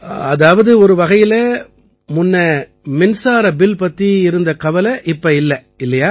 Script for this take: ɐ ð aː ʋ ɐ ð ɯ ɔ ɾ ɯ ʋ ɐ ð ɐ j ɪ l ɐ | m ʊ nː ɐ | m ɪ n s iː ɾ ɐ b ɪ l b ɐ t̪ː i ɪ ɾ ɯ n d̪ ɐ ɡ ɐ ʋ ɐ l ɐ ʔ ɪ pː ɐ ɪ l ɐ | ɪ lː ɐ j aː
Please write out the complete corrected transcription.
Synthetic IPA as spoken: ɐ ð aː ʋ ɐ ð ɯ ɔ ɾ ɯ ʋ ɐ ɣ ɐ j ɪ l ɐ | m ʊ nː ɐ | m ɪ n s aː ɾ ɐ b ɪ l p ɐ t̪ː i ɪ ɾ ɯ n d̪ ɐ k ɐ ʋ ɐ l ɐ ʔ ɪ pː ɐ ɪ lː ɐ | ɪ lː ɐ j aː